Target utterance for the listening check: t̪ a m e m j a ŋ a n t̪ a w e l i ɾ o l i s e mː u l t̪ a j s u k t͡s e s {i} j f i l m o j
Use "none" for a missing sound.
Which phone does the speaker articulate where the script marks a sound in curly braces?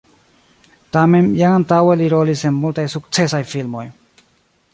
a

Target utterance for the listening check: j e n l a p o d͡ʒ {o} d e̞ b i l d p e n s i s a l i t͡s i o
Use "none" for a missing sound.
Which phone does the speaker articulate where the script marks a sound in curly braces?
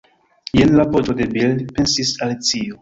o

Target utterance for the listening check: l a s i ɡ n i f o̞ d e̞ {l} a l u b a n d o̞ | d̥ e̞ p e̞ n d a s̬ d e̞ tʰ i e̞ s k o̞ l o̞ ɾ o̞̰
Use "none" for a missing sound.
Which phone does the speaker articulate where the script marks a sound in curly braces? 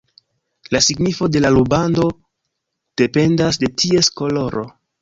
l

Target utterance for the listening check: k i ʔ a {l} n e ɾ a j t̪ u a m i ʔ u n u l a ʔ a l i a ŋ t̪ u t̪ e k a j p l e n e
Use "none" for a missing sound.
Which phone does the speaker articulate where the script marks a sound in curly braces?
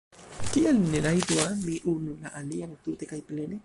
l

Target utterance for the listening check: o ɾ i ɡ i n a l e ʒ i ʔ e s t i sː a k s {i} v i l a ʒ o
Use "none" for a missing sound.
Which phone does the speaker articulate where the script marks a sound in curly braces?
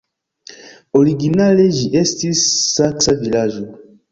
a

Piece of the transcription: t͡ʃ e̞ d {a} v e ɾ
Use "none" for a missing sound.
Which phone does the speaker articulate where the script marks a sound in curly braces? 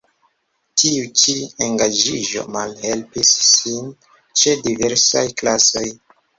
i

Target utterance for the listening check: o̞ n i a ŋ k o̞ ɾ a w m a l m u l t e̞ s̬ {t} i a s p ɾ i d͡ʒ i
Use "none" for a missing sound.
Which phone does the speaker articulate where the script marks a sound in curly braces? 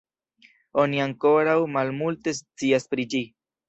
t͡s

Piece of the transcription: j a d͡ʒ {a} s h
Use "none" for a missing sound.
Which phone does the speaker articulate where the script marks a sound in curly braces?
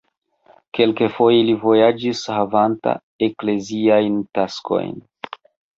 i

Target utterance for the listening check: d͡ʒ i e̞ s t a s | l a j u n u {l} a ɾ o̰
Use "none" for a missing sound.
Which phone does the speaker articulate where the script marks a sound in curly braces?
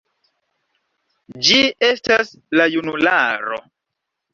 l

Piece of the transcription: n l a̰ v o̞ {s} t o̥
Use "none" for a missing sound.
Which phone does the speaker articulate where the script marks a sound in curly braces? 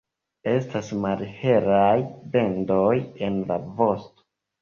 s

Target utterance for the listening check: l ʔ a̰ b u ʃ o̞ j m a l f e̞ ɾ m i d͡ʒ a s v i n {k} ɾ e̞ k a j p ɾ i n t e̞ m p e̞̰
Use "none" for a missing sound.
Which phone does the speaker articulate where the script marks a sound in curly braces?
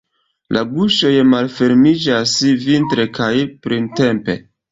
t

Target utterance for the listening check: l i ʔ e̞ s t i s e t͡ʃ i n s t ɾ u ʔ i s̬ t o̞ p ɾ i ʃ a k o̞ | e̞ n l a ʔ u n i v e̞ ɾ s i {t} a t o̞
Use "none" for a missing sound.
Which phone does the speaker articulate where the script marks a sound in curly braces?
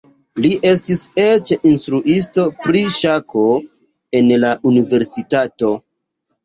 t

